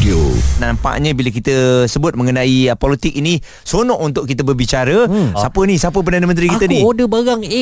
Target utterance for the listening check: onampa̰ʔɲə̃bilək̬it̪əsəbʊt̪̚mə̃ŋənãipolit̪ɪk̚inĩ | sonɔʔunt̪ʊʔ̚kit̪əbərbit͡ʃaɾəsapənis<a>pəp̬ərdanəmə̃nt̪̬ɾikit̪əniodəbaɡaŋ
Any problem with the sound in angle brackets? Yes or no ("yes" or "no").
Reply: no